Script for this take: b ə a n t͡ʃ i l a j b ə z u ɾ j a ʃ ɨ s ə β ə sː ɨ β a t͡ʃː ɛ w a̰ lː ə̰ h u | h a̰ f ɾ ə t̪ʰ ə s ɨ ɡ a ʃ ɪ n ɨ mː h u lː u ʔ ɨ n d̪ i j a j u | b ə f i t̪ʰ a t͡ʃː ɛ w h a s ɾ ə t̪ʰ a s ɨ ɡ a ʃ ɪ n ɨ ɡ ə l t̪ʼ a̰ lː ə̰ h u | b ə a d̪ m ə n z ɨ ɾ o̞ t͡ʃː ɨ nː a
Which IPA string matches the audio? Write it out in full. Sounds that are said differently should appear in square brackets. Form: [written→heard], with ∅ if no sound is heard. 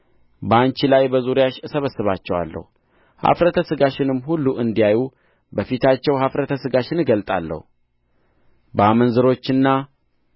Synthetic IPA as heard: b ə a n t͡ʃ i l a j b ə z u ɾ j a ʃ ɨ s ə β ə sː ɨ β a t͡ʃː ɛ w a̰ lː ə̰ h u | h a̰ f ɾ ə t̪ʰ ə s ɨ ɡ a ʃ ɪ n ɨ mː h u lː u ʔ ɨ n d̪ i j a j u | b ə f i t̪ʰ a t͡ʃː ɛ w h a [s→f] ɾ ə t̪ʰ [a→ə] s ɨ ɡ a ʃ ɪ n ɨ ɡ ə l t̪ʼ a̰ lː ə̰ h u | b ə a [d̪→∅] m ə n z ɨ ɾ o̞ t͡ʃː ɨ nː a